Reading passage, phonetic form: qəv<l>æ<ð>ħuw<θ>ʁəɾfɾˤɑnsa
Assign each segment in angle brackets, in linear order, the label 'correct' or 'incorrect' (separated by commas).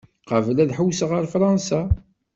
correct, correct, incorrect